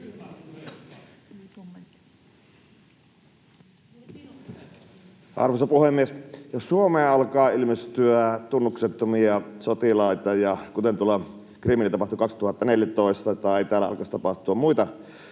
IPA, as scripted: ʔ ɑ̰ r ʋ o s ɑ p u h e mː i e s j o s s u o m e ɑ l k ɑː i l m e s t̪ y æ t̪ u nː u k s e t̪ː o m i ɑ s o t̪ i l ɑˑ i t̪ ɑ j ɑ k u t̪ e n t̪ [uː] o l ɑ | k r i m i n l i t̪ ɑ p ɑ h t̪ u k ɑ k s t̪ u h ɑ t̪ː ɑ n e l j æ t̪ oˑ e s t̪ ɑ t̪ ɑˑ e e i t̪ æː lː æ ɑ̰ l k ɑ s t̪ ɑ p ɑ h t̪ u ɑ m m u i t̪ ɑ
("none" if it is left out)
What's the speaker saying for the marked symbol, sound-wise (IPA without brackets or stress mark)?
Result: u